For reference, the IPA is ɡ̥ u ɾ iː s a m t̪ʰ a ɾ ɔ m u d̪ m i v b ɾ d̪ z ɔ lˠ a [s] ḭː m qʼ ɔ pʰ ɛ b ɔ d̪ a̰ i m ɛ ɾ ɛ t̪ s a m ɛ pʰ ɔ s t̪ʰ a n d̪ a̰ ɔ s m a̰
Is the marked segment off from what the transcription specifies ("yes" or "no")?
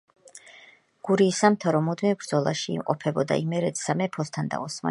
yes